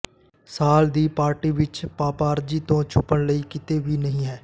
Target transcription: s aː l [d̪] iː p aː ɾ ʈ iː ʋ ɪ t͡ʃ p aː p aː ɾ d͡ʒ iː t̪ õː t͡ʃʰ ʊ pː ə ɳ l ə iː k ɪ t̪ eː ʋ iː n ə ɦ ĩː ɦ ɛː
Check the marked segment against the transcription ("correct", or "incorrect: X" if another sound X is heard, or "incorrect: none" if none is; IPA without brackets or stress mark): correct